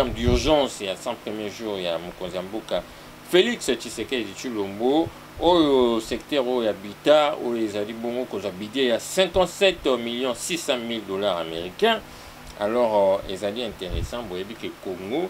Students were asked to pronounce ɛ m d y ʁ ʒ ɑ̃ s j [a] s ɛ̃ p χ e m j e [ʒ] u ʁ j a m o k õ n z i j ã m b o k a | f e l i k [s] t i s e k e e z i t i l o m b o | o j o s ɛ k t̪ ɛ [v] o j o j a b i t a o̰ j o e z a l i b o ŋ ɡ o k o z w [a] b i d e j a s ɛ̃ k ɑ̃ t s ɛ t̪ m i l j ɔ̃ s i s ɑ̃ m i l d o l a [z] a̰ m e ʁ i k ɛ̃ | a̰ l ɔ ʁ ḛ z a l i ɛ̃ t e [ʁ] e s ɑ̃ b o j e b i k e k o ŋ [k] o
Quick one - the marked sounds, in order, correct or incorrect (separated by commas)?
correct, correct, correct, incorrect, correct, incorrect, correct, incorrect